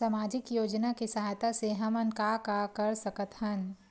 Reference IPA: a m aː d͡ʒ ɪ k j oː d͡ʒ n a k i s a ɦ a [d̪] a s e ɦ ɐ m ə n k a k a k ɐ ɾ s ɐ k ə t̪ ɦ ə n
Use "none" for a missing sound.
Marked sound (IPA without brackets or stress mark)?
t̪